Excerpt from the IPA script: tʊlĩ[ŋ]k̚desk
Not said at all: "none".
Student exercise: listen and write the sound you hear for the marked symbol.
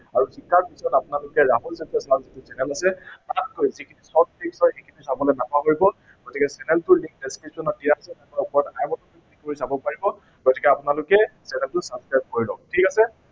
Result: ŋ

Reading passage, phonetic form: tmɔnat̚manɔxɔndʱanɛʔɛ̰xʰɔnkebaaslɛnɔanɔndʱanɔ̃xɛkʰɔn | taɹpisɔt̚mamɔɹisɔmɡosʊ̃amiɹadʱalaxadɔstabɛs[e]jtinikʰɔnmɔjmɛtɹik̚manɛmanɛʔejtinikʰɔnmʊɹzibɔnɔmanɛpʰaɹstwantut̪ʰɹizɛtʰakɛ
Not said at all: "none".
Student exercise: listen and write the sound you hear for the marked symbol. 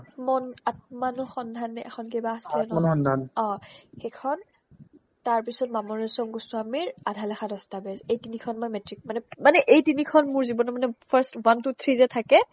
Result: e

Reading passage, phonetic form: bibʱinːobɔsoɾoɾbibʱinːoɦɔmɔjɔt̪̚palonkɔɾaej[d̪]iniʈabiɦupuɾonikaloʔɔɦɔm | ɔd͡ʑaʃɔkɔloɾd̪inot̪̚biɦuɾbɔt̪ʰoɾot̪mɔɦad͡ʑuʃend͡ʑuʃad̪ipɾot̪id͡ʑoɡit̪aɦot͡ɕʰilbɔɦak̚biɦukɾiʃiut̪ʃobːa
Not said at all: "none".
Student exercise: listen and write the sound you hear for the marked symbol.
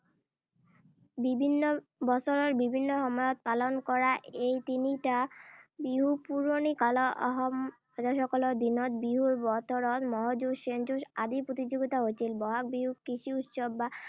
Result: t̪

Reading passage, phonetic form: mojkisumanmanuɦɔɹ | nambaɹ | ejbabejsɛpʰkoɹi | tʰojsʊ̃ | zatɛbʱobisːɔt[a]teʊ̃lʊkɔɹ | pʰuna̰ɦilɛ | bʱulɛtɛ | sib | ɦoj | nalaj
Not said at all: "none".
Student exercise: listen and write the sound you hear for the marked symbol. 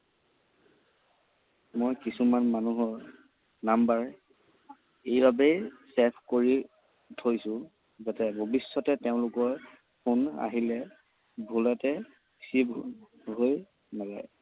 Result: ɛ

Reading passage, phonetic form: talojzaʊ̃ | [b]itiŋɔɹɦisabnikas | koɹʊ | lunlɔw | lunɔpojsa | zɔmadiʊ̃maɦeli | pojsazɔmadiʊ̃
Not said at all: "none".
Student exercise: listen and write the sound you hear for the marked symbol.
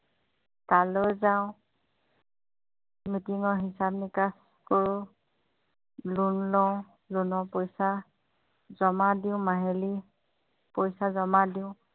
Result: m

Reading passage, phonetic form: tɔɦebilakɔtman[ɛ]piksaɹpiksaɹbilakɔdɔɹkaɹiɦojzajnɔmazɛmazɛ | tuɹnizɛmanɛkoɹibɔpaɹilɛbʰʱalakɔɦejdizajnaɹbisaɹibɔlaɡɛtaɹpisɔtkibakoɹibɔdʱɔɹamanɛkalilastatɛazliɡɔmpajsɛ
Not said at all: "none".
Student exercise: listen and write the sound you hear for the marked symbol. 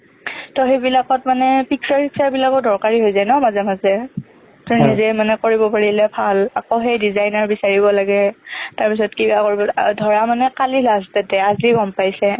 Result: ɛ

